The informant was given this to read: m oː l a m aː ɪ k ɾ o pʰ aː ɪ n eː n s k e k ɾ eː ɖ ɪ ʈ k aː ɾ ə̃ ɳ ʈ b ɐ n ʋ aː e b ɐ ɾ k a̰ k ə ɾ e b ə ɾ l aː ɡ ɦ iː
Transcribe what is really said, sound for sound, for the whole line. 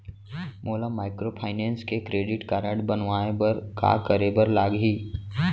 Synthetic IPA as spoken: m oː l a m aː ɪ k ɾ o pʰ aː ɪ n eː n s k e k ɾ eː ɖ ɪ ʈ k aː ɾ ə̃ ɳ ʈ b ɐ n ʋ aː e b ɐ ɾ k a̰ k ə ɾ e b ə ɾ l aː ɡ ɦ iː